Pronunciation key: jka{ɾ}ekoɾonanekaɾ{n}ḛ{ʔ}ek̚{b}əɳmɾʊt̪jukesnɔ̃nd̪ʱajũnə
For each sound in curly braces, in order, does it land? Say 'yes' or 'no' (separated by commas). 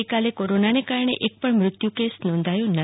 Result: no, no, yes, no